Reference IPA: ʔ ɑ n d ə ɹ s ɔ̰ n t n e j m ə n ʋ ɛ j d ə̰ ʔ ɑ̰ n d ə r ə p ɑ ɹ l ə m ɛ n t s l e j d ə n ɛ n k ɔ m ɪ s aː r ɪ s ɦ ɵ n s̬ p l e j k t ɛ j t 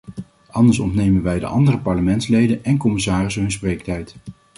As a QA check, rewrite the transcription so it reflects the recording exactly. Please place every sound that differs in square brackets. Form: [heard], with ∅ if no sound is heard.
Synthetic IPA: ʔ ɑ n d ə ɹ s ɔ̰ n t n e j m ə n ʋ ɛ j d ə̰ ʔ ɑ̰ n d ə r ə p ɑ ɹ l ə m ɛ n t s l e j d ə n ɛ n k ɔ m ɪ s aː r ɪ s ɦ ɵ n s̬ p [r] e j k t ɛ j t